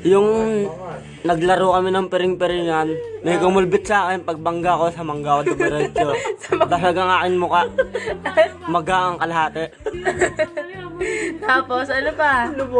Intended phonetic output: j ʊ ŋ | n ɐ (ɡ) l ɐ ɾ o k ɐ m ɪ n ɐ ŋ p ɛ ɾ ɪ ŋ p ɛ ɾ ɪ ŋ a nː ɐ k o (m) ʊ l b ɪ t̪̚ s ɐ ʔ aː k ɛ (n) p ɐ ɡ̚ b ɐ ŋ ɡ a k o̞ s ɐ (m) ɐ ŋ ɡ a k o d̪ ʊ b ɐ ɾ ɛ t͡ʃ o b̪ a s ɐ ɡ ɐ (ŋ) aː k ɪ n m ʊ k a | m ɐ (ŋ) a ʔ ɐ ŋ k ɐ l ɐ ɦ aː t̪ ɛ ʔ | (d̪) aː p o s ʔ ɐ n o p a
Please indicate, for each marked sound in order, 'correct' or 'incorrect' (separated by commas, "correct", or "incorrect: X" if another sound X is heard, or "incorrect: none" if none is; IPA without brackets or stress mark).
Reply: correct, correct, correct, correct, correct, incorrect: ɡ, incorrect: t̪